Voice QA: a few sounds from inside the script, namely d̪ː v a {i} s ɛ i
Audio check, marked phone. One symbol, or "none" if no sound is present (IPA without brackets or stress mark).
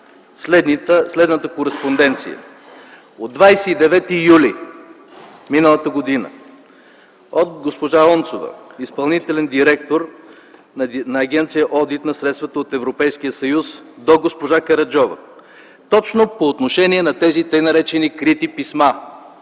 j